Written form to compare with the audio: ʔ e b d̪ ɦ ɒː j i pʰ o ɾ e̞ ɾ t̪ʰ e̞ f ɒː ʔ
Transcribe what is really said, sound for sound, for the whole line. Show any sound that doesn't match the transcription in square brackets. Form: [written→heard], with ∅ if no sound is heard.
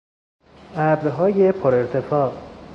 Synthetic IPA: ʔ [e→æ] b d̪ ɦ ɒː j [i→e] pʰ o ɾ e̞ ɾ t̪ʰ e̞ f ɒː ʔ